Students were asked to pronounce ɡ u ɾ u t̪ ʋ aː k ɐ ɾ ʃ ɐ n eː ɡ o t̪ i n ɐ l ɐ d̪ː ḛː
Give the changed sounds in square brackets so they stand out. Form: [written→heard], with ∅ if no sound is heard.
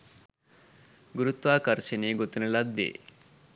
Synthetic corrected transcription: ɡ u ɾ u t̪ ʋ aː k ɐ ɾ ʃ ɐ n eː ɡ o t̪ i n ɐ l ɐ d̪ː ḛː